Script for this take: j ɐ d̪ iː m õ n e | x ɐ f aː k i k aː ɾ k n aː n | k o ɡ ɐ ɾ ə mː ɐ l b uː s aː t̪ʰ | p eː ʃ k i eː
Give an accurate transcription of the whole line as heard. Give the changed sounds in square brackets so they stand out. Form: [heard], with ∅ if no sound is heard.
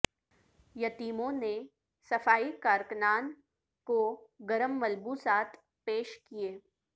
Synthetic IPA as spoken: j ɐ [t̪] iː m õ n e | [s] ɐ f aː [∅] i k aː ɾ k n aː n | k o ɡ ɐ ɾ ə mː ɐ l b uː s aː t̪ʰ | p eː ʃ k i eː

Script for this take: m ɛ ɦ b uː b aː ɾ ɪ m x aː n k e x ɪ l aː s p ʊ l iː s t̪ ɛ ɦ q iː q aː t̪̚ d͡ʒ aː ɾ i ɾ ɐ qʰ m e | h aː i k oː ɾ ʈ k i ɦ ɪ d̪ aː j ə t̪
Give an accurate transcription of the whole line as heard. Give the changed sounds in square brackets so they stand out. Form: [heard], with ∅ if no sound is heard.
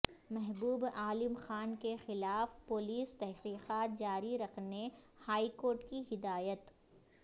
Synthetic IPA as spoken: m ɛ ɦ b uː b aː [l] ɪ m x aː n k e x ɪ l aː [f] p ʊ l iː s t̪ ɛ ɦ q iː q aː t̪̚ d͡ʒ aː ɾ i ɾ ɐ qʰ [n] e | h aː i k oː ɾ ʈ k i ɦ ɪ d̪ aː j ə t̪

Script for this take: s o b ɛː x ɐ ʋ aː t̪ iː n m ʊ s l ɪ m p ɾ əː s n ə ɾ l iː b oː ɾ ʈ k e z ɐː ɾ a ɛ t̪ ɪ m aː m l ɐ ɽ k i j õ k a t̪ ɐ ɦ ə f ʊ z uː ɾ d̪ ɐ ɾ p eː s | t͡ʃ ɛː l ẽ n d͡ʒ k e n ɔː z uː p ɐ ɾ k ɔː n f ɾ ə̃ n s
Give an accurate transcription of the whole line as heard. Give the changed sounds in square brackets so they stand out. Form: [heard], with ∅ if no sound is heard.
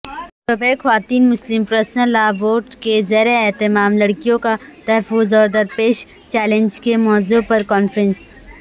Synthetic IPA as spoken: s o b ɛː x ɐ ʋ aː t̪ iː n m ʊ s l ɪ m p ɾ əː s n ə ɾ l [aː] b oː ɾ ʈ k e z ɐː ɾ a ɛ t̪ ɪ m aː m l ɐ ɽ k i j õ k a t̪ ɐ ɦ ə f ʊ z [ɔː] ɾ d̪ ɐ ɾ p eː [ʃ] | t͡ʃ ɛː l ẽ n d͡ʒ k e [m] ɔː z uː p ɐ ɾ k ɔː n f ɾ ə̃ n s

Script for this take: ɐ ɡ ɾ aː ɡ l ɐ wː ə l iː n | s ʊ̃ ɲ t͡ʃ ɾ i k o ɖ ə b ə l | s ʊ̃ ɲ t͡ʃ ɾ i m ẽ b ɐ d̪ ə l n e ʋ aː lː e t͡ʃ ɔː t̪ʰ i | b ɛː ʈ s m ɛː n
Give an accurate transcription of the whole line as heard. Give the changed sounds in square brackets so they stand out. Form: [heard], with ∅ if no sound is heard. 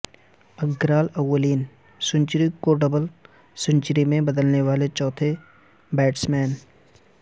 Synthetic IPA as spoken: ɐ ɡ ɾ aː [∅] l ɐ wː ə l iː n | s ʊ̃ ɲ t͡ʃ ɾ i k o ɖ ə b ə l | s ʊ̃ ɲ t͡ʃ ɾ i m ẽ b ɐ d̪ ə l n e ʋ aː [l] e t͡ʃ ɔː t̪ʰ [e] | b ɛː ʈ s m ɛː n

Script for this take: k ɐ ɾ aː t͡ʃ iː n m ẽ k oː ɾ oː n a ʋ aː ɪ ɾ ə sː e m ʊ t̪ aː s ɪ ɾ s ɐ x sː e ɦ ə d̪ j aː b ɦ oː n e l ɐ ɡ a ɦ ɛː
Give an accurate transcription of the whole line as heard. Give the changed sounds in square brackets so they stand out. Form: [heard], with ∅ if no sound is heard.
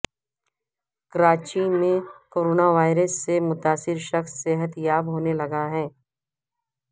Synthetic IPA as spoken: k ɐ ɾ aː t͡ʃ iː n m ẽ k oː ɾ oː n a ʋ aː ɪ ɾ ə sː e m ʊ t̪ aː s ɪ ɾ [ʃ] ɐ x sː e ɦ ə [t̪] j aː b ɦ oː n e l ɐ ɡ a ɦ ɛː

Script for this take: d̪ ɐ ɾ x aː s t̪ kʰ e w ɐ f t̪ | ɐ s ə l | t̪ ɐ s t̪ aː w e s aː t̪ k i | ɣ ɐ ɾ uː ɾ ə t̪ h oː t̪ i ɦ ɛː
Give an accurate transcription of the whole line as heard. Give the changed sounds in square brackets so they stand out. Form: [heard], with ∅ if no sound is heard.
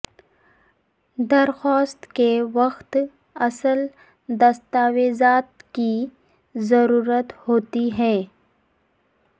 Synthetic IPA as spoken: d̪ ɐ ɾ x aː s t̪ [k] e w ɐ [x] t̪ | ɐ s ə l | [d̪] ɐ s t̪ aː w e [z] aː t̪ k i | [z] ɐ ɾ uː ɾ ə t̪ h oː t̪ i ɦ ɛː

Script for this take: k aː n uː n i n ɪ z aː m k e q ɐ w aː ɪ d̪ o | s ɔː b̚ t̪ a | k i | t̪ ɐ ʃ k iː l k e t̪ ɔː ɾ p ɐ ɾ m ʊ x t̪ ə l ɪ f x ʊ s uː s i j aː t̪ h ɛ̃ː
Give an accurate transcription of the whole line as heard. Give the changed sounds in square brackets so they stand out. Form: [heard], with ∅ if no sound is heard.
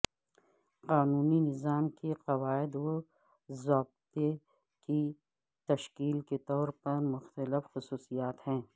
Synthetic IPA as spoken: [q] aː n uː n i n ɪ z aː m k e q ɐ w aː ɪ d̪ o | [z] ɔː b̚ t̪ [e] | k i | t̪ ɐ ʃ k iː l k e t̪ ɔː ɾ p ɐ ɾ m ʊ x t̪ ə l ɪ f x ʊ s uː s i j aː t̪ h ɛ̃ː

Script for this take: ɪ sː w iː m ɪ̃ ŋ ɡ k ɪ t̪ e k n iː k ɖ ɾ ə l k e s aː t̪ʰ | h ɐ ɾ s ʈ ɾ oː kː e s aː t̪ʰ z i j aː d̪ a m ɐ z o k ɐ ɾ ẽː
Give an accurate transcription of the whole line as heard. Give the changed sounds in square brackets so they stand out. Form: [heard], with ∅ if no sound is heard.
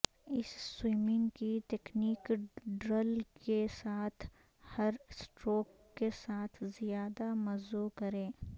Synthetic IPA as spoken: ɪ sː w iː m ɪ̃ ŋ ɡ k [i] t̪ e k n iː k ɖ ɾ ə l k e s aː t̪ʰ | h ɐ ɾ s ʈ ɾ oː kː e s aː t̪ʰ z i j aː d̪ a m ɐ z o k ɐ ɾ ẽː

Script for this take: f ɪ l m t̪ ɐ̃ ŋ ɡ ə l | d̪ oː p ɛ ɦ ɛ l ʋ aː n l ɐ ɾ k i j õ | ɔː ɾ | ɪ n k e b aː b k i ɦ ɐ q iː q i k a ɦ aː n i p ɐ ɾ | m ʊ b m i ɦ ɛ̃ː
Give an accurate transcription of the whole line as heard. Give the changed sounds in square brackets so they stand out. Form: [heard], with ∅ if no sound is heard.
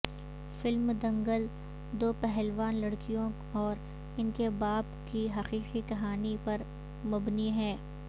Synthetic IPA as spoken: f ɪ l m [d̪] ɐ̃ ŋ ɡ ə l | d̪ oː p ɛ ɦ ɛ l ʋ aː n l ɐ [ɽ] k i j õ | ɔː ɾ | ɪ n k e b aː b k i ɦ ɐ q iː q i k [ɐ] ɦ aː n i p ɐ ɾ | m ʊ b [n] i ɦ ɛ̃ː

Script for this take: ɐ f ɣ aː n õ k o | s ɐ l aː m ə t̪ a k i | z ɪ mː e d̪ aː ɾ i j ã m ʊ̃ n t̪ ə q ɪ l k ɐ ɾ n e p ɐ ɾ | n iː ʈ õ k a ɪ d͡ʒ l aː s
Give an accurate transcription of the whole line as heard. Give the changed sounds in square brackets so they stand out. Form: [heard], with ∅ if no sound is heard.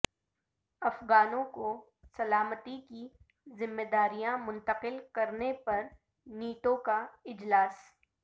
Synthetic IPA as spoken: ɐ f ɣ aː n õ k o | s ɐ l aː m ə t̪ [i] k i | z ɪ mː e d̪ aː ɾ i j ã m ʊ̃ n t̪ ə q ɪ l k ɐ ɾ n e p ɐ ɾ | n iː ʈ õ k a ɪ d͡ʒ l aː s

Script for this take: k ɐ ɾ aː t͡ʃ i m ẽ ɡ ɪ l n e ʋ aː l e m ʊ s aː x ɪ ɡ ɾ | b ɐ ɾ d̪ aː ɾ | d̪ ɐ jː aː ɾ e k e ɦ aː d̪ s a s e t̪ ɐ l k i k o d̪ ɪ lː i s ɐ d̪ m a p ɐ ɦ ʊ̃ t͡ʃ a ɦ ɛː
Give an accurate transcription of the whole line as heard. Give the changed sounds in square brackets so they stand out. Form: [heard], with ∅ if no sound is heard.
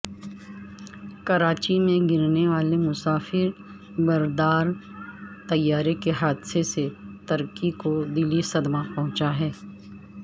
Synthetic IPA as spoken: k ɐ ɾ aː t͡ʃ i m ẽ ɡ ɪ [ɾ] n e ʋ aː l e m ʊ s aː [f] ɪ [∅] ɾ | b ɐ ɾ d̪ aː ɾ | [t̪] ɐ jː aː ɾ e k e ɦ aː d̪ s [e] s e t̪ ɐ [ɾ] k i k o d̪ ɪ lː i s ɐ d̪ m a p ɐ ɦ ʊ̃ t͡ʃ a ɦ ɛː

